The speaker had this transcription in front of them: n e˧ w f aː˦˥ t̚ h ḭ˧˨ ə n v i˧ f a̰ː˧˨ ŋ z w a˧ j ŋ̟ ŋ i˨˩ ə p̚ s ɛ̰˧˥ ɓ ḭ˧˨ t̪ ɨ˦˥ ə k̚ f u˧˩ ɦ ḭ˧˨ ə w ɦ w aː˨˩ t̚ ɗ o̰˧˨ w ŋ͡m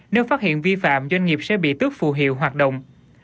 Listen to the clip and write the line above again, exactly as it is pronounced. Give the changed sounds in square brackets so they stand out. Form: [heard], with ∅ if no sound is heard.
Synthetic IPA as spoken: n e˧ w f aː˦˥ t̚ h ḭ˧˨ ə n v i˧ f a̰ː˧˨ [m] z w a˧ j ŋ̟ ŋ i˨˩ ə p̚ s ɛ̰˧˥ ɓ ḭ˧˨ t̪ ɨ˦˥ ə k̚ f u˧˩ ɦ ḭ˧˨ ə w ɦ w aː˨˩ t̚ ɗ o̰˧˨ w ŋ͡m